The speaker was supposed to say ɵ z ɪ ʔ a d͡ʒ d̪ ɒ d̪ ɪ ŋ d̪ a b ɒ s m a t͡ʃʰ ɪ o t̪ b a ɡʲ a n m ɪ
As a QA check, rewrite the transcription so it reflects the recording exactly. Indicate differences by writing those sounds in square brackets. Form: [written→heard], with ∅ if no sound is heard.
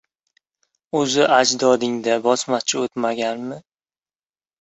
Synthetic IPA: ɵ z ɪ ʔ a d͡ʒ d̪ ɒ d̪ ɪ ŋ d̪ a b ɒ s m a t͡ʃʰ ɪ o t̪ [b→m] a ɡʲ a n m ɪ